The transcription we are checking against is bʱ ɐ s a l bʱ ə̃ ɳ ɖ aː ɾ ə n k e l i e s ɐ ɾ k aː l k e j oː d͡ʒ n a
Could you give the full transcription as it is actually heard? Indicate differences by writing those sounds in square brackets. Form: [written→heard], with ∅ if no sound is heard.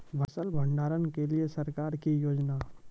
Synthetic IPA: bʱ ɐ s [a→ə] l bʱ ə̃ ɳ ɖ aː ɾ ə n k e l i e s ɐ ɾ k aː [l→ɾ] k [e→i] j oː d͡ʒ n a